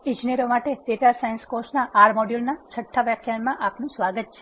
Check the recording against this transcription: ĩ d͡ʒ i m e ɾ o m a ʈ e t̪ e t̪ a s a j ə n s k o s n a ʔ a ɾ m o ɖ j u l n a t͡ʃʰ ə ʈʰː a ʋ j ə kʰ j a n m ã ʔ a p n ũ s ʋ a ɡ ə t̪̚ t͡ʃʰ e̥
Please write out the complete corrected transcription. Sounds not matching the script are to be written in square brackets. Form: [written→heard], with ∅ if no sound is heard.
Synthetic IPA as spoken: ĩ d͡ʒ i [m→n] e ɾ o m a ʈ e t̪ e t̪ a s a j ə n s k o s n a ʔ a ɾ m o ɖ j u l n a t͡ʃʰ ə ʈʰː a ʋ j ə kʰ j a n m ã ʔ a p n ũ s ʋ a ɡ ə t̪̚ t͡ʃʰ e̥

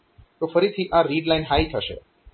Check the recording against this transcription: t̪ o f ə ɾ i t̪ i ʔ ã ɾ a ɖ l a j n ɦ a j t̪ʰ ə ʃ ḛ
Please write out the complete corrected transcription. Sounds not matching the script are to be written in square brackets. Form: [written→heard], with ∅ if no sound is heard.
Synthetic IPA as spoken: t̪ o f ə ɾ i [t̪→t̪ʰ] i ʔ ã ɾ [a→i] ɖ l a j n ɦ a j t̪ʰ ə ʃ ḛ

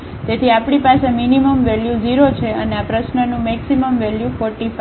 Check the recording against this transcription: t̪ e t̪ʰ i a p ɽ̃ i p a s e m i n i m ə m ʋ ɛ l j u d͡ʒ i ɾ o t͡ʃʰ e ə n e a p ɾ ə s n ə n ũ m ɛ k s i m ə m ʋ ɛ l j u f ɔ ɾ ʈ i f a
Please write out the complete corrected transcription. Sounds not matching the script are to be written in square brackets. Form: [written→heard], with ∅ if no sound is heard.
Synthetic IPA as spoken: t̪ e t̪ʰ i a p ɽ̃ i p a s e m i n i m ə m ʋ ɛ l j u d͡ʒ i ɾ o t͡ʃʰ e ə n e a p ɾ ə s n ə n ũ m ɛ k s i m ə m ʋ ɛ l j u f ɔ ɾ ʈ i f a

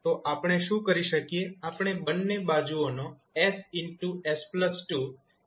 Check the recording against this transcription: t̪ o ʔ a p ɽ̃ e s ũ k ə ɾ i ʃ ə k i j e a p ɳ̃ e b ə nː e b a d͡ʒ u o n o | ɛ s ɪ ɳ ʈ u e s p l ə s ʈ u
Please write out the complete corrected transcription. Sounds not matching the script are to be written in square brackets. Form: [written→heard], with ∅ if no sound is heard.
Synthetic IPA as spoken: t̪ o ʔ a p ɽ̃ e [s→ʃ] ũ k ə ɾ i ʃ ə k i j e a p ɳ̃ e b ə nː e b a d͡ʒ u o n o | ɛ s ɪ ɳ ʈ u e s p l ə s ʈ u

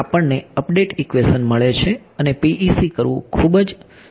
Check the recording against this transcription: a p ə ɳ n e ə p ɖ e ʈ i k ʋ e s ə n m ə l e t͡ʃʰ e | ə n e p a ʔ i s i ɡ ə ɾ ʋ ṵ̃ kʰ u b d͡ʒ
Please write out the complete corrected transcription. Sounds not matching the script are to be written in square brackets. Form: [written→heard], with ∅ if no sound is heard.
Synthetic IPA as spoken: a p ə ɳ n e ə p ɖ e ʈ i k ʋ e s ə n m ə [l→ɭ] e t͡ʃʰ e | ə n e p [a→i] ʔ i s i [ɡ→k] ə ɾ ʋ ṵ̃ kʰ u b d͡ʒ

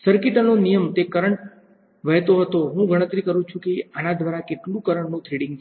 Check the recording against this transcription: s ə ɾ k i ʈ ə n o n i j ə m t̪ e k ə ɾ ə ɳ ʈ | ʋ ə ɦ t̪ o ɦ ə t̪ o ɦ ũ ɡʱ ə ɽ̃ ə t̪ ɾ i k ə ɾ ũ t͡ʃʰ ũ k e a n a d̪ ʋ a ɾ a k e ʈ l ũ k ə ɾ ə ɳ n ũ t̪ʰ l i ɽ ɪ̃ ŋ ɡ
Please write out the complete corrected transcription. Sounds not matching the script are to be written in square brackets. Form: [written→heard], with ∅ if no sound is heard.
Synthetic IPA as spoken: s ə ɾ k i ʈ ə n o n i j ə m t̪ e k ə ɾ ə ɳ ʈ | ʋ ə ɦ t̪ o ɦ ə t̪ o ɦ ũ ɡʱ ə ɽ̃ ə t̪ ɾ i k ə ɾ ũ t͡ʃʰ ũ k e a n a d̪ ʋ a ɾ a k e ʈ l ũ k ə ɾ ə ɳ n ũ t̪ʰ [l→ɾ] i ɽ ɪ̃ ŋ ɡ

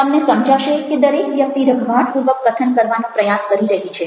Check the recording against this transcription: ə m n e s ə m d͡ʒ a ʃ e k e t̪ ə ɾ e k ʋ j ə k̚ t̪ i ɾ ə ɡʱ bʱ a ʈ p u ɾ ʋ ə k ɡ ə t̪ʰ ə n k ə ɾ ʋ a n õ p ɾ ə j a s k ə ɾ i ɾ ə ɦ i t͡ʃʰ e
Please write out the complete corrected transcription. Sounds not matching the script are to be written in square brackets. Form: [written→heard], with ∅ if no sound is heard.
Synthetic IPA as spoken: ə m n e s ə m d͡ʒ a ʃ e k e [t̪→d̪] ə ɾ e k ʋ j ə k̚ t̪ i ɾ ə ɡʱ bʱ a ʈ p u ɾ ʋ ə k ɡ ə t̪ʰ ə n k ə ɾ ʋ a n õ p ɾ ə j a s k ə ɾ i ɾ ə ɦ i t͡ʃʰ e

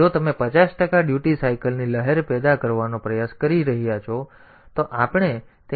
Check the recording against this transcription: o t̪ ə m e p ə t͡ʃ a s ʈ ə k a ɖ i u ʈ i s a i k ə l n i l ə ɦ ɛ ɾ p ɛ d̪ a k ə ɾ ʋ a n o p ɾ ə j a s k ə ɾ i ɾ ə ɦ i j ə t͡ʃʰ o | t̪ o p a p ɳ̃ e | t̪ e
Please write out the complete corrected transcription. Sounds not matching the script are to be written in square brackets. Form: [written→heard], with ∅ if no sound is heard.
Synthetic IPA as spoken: o t̪ ə m e p ə t͡ʃ a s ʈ ə k a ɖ [i→j] u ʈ i s a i k ə l n i l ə ɦ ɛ ɾ p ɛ d̪ a k ə ɾ ʋ a n o p ɾ ə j a s k ə ɾ i ɾ ə ɦ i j [ə→a] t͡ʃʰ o | t̪ o [p→ʔ] a p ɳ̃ e | t̪ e

